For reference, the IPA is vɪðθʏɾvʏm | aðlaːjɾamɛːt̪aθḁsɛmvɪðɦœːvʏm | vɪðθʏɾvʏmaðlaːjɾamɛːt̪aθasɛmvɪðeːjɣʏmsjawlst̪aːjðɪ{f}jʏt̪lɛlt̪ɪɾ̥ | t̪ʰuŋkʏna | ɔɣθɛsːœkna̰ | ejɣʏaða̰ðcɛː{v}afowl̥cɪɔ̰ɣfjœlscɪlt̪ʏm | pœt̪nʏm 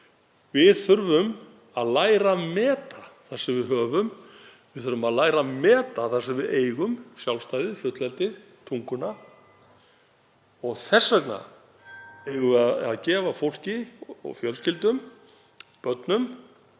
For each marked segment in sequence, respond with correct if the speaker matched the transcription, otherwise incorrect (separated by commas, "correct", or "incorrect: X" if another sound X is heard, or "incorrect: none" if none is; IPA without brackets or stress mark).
correct, correct